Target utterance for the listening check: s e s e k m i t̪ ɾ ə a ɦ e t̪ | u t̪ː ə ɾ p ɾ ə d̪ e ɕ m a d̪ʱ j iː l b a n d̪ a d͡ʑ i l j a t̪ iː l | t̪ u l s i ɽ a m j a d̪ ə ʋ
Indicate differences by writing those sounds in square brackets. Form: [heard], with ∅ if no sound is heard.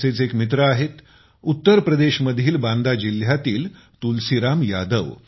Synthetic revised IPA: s e [t͡s] e k m i t̪ ɾ ə a ɦ e t̪ | u t̪ː ə ɾ p ɾ ə d̪ e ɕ m [ə] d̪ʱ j iː l b a n d̪ a d͡ʑ i l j a t̪ iː l | t̪ u l s i [ɾ] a m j a d̪ ə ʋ

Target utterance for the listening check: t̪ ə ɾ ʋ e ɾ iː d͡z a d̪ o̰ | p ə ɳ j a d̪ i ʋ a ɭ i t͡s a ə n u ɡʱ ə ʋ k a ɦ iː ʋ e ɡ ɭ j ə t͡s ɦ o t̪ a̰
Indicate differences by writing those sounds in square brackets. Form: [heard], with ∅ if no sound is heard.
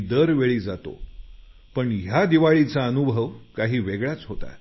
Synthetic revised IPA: [d̪] ə ɾ ʋ e [ɭ] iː d͡z a [t̪] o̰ | p ə ɳ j a d̪ i ʋ a ɭ i t͡s a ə n u [bʱ] ə ʋ k a ɦ iː ʋ e ɡ ɭ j [a] t͡s ɦ o t̪ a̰

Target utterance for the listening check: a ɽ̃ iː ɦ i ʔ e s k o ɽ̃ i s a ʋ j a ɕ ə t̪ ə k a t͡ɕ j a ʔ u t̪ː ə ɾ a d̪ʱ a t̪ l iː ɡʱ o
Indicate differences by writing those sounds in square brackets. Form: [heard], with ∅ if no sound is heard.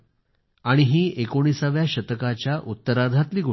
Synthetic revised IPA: a ɽ̃ [i] ɦ [iː] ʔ e [∅] k o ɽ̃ i s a ʋ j a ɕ ə t̪ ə k a t͡ɕ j a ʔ u t̪ː ə ɾ a d̪ʱ a t̪ l iː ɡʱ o

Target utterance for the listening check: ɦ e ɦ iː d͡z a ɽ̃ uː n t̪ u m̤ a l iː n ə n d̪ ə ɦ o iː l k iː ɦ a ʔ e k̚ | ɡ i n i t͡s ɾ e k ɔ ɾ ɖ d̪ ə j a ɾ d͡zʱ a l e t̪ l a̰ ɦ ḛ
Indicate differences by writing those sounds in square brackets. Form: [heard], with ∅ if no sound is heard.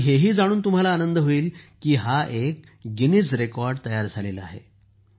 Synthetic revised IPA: ɦ e ɦ iː d͡z a ɽ̃ uː n t̪ u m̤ a l [aː] n ə n d̪ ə ɦ o iː l k iː ɦ a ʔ e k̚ | ɡ i n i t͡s ɾ e k ɔ ɾ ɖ [t̪] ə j a ɾ d͡zʱ a l e [∅] l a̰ ɦ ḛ

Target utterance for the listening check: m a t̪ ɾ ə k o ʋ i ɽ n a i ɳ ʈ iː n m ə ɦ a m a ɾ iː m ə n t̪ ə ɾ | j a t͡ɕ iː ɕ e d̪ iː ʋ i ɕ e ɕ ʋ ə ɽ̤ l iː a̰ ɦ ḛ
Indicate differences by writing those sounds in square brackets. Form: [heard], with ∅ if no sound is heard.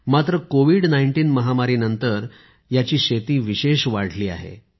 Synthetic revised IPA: m a t̪ ɾ ə k o ʋ i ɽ n a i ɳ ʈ iː n m ə ɦ a m a ɾ iː [n] ə n t̪ ə ɾ | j a t͡ɕ iː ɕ e [t̪] iː ʋ i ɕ e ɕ ʋ [a] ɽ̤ l iː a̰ ɦ ḛ

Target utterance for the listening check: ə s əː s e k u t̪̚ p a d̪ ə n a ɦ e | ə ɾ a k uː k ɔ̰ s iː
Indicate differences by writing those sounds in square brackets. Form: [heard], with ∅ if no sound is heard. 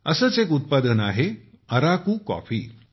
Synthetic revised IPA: ə s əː [t͡s] e k u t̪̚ p a d̪ ə n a ɦ e | ə ɾ a k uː k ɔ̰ [f] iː

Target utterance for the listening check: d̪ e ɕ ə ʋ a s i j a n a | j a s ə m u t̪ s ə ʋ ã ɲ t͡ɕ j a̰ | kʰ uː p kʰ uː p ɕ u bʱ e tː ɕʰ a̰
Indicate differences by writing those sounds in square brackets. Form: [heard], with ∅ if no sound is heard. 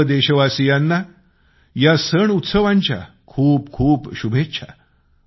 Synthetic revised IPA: d̪ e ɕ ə ʋ a s i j a [nː] a | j a s ə [ɳ] u t̪ s ə ʋ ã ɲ t͡ɕ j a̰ | kʰ uː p kʰ uː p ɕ u bʱ e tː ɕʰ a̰

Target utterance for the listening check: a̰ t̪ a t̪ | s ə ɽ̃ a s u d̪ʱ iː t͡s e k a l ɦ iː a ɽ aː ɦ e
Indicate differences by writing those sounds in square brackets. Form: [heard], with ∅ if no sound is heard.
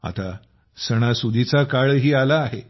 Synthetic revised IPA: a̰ t̪ a [∅] | s ə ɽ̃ a s u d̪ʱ [i] t͡s [a] k a [ɭ] ɦ iː a [l] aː ɦ e

